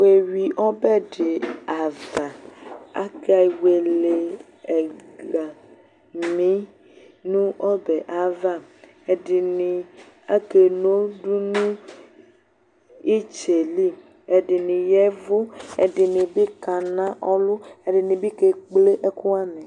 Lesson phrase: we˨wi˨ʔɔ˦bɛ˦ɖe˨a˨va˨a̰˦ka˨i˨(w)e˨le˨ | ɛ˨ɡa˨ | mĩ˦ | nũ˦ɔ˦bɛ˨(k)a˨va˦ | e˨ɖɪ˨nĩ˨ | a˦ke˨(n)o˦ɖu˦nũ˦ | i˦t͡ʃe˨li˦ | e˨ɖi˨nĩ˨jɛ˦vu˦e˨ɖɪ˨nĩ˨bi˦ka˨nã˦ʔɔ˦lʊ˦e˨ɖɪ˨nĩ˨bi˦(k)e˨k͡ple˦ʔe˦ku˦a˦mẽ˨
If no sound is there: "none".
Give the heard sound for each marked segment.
w, ʔ, n, k

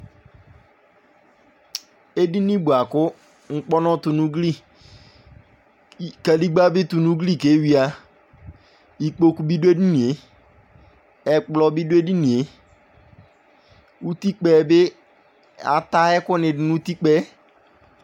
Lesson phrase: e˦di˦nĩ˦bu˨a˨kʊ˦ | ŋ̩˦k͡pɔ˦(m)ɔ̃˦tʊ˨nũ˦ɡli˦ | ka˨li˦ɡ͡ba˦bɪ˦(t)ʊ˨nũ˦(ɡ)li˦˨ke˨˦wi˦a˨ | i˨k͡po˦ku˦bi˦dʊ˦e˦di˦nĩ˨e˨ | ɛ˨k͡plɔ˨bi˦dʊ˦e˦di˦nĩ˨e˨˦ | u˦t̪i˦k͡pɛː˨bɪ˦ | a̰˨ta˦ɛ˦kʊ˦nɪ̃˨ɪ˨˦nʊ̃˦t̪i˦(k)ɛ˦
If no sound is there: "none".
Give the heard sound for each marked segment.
n, t, ɡ, k͡p

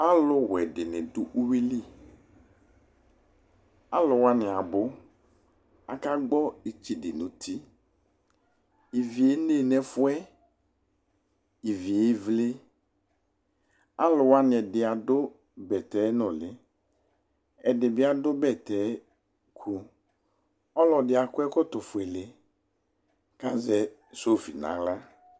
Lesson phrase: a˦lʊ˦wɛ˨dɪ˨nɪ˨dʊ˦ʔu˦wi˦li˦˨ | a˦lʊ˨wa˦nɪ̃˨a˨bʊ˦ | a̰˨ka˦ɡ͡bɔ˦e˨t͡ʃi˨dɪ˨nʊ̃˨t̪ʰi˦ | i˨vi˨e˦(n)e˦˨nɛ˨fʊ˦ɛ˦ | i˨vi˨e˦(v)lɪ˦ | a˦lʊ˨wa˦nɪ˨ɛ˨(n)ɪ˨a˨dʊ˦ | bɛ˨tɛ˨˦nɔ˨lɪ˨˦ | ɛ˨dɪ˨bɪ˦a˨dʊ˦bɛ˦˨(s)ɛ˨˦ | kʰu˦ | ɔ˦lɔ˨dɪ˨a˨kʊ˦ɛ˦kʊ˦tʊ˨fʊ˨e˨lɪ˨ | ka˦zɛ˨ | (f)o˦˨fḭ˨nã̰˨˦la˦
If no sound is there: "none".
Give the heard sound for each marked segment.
n, v, d, t, s

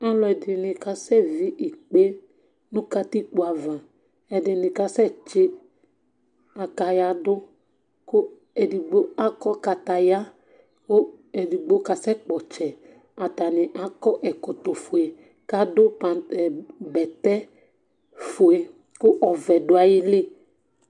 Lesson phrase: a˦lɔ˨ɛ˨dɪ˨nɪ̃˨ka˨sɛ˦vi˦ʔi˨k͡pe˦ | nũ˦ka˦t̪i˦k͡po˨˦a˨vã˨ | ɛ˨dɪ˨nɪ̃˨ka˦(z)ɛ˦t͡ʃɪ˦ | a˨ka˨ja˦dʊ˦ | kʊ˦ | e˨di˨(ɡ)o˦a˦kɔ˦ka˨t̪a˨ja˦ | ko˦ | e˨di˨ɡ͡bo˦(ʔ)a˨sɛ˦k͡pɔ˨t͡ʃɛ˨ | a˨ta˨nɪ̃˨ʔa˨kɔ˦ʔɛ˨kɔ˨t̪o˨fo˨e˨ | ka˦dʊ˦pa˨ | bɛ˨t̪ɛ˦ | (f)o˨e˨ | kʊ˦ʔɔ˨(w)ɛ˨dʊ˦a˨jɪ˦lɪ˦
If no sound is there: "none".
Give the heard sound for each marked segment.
s, ɡ͡b, k, f, v

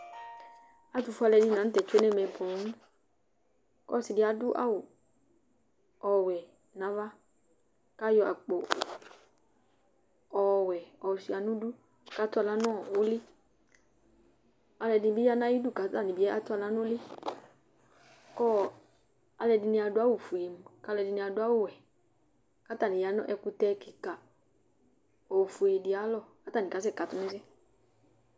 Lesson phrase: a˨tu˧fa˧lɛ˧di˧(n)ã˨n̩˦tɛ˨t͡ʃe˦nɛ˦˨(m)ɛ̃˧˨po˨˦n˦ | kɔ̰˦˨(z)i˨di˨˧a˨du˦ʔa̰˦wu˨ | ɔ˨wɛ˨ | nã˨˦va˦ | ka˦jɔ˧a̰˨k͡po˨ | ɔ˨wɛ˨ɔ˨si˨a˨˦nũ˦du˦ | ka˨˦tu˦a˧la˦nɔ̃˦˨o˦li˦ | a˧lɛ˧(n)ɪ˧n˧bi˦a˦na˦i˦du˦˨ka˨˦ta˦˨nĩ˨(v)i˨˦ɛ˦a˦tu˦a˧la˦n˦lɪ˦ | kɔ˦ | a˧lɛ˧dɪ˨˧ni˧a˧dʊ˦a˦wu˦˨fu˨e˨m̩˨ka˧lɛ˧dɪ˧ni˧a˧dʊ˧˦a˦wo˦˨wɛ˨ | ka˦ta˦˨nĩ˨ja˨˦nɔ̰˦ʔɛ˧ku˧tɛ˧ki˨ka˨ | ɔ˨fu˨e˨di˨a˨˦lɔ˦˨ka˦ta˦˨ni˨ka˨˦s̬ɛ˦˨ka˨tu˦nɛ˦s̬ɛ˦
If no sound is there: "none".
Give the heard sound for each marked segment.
n, m, s, d, b

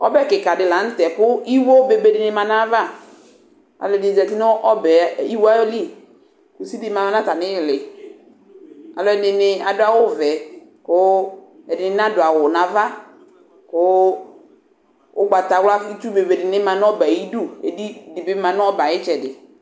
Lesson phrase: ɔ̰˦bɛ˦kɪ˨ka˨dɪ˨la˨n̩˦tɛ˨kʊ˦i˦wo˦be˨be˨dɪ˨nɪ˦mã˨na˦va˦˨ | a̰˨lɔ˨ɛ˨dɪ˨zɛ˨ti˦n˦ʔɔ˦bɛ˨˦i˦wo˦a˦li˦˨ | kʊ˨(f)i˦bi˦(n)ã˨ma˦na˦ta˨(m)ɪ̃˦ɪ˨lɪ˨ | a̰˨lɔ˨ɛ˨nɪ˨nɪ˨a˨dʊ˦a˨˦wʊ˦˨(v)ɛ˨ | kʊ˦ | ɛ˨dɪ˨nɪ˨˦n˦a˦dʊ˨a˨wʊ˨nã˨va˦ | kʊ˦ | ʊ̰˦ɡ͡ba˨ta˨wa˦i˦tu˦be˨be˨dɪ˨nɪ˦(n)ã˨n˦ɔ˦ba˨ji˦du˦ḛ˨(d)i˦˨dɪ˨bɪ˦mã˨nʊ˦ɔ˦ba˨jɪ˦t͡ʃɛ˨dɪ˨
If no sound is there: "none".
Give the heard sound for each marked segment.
s, m, n, v, m, d

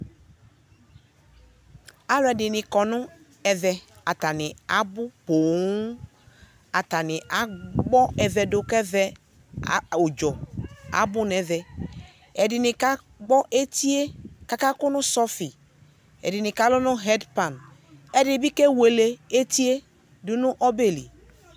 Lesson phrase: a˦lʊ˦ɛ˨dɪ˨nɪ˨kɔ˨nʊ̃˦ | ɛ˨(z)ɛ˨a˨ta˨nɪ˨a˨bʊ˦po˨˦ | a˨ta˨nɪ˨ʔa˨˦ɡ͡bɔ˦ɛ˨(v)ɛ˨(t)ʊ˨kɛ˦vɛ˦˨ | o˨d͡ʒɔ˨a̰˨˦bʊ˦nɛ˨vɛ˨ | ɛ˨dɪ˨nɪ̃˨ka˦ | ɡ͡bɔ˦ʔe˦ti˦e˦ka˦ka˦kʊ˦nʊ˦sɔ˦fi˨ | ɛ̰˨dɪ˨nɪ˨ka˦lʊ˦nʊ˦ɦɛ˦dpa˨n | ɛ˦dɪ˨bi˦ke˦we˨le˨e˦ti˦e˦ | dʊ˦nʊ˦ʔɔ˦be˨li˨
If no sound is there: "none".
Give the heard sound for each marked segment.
v, v, d

